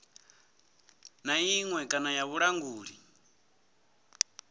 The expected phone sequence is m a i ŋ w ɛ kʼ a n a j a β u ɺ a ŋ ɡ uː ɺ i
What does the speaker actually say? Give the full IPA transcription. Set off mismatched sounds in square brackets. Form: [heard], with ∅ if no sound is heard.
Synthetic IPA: [n] a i ŋ w ɛ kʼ a n a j a β u ɺ a ŋ ɡ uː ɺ i